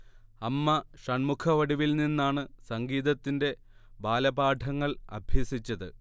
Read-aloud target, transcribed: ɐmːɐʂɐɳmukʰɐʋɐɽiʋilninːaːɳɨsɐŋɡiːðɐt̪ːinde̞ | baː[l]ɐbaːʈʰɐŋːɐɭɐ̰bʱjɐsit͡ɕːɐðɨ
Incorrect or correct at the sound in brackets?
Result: correct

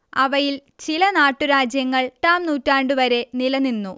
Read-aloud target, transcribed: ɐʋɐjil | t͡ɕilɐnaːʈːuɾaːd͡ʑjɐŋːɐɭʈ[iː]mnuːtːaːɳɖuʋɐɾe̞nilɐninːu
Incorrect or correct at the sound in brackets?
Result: incorrect: aː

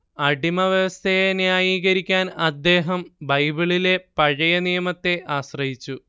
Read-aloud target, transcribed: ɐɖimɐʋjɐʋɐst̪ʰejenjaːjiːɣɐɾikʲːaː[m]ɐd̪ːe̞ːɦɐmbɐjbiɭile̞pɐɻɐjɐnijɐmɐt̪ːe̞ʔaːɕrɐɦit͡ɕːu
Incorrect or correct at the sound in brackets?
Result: incorrect: n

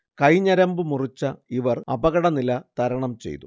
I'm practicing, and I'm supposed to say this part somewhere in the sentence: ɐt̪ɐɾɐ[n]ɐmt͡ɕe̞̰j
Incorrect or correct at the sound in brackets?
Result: incorrect: ɳ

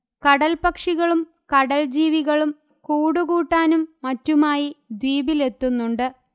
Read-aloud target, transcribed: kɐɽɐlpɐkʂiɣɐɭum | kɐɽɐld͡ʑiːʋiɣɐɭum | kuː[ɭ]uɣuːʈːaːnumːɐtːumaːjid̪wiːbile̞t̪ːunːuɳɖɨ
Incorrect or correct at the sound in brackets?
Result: incorrect: ɽ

